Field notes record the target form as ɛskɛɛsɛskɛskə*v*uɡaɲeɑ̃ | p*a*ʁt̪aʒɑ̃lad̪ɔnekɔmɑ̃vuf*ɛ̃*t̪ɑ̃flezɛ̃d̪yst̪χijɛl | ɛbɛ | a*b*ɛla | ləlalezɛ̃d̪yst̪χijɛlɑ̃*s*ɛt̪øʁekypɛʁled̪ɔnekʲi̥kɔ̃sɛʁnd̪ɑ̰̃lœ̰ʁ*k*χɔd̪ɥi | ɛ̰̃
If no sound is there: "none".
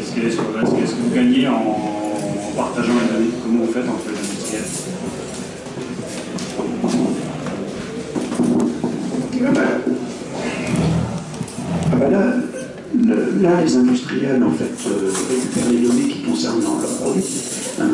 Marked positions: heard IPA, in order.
v, a, ɛ, b, f, p

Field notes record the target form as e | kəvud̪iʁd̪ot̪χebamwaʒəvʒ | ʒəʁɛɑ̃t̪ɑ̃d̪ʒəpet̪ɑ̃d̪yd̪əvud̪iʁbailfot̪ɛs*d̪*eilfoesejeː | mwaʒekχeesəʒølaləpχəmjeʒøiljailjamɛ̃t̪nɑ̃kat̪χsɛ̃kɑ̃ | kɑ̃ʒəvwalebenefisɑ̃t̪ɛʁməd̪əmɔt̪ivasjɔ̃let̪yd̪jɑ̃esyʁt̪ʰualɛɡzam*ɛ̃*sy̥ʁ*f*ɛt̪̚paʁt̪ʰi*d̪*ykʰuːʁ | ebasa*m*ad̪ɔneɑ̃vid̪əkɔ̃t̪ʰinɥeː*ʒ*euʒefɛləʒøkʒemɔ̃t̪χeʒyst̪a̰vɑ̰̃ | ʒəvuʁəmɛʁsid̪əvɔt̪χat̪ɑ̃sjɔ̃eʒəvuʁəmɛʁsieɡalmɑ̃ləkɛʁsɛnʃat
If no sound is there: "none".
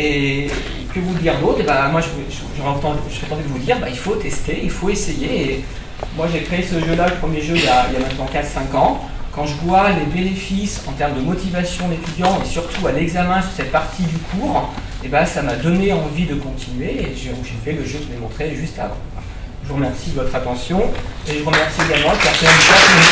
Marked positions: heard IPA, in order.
t̪, ɛ̃, s, d̪, m, ʒ

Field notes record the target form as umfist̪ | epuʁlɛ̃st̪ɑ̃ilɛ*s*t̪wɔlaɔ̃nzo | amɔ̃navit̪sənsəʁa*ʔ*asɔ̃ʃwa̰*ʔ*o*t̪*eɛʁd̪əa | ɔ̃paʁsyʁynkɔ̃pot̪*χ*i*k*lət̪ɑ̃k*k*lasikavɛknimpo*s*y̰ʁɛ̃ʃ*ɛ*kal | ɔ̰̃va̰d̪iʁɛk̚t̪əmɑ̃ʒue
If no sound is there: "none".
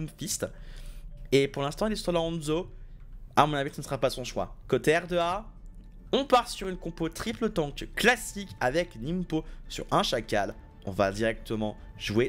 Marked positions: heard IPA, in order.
s, p, k, t̪, χ, p, k, s, a

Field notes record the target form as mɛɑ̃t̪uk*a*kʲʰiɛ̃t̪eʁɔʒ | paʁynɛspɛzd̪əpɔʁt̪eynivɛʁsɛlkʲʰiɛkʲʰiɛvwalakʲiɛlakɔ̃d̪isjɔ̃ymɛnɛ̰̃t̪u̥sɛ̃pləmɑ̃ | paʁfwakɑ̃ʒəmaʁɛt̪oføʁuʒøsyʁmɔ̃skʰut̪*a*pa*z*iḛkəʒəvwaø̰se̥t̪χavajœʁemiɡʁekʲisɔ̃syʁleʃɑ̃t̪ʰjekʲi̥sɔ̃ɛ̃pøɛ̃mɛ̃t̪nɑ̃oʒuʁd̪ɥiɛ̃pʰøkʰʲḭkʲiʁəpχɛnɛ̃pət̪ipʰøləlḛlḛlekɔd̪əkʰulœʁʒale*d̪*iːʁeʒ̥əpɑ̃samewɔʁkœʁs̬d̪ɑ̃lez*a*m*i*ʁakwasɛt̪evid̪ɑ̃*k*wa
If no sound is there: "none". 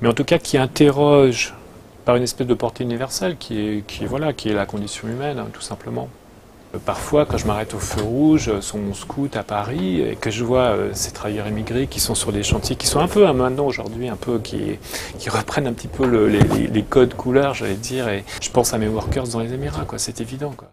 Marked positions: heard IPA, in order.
a, a, ʁ, d̪, e, i, k

